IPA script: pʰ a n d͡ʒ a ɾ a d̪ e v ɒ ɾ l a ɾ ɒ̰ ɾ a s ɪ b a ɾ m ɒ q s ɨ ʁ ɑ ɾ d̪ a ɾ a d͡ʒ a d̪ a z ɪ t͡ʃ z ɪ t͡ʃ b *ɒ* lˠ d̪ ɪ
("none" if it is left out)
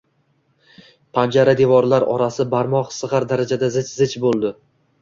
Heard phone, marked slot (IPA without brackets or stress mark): o